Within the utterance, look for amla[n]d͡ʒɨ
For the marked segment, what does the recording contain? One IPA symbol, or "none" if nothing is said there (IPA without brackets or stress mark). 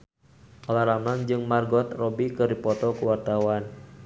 ŋ